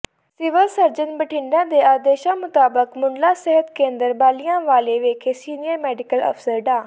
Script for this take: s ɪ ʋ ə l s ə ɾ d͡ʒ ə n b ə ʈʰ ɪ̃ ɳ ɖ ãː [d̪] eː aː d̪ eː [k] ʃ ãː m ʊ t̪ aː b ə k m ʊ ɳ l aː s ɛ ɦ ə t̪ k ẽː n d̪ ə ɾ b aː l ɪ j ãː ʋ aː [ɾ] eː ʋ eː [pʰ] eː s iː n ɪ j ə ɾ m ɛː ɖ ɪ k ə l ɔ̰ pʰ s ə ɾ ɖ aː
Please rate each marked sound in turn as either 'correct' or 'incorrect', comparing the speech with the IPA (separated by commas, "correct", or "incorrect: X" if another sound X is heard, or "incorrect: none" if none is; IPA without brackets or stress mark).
correct, incorrect: none, incorrect: l, incorrect: kʰ